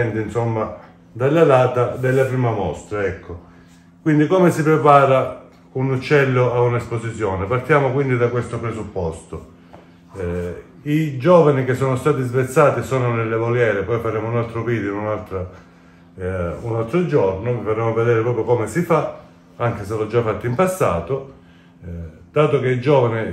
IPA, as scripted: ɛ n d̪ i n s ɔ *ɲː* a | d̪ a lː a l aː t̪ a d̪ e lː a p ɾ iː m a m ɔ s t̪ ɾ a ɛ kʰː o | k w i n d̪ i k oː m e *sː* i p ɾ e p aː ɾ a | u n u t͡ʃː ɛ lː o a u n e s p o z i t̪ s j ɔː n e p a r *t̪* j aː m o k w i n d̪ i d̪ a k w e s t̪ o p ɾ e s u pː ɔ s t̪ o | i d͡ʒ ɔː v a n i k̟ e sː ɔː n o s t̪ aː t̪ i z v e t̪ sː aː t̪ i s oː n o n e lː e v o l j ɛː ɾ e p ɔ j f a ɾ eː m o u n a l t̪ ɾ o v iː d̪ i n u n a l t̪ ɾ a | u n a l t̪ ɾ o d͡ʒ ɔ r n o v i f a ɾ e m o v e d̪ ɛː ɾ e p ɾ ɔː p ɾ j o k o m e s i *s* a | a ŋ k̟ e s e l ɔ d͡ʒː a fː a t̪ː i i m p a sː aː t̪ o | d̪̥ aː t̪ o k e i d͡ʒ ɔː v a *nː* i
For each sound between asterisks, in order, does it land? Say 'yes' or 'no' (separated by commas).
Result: no, no, yes, no, no